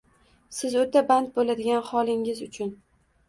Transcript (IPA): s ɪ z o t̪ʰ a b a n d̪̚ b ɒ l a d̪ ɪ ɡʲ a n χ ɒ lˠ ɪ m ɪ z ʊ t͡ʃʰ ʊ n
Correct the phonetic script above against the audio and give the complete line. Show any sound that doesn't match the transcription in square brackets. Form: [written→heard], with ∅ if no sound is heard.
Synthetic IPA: s ɪ z o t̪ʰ a b a n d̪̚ b [ɒ→o] l a d̪ ɪ ɡʲ a n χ ɒ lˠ ɪ [m→ŋ] ɪ z ʊ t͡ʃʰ ʊ n